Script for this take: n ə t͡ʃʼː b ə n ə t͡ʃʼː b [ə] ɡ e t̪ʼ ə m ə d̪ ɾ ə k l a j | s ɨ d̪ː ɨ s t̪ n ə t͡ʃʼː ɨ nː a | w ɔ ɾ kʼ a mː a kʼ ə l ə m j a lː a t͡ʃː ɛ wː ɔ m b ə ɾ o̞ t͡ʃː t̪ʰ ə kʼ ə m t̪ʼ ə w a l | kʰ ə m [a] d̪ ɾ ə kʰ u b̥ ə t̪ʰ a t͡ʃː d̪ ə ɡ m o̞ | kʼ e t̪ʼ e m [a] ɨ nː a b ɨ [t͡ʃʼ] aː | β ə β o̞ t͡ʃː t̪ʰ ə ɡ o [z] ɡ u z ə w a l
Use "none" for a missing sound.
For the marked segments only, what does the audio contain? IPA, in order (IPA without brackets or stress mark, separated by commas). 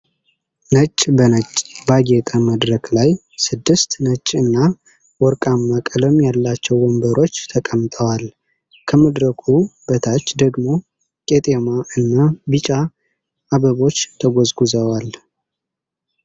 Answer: a, ə, a, t͡ʃʼ, z